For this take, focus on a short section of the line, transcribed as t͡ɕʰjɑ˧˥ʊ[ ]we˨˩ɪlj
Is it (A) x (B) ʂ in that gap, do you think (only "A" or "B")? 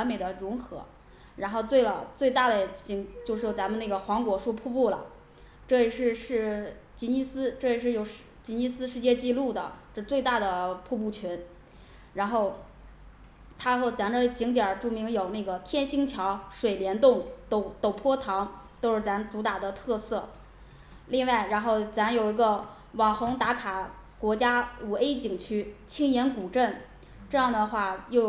B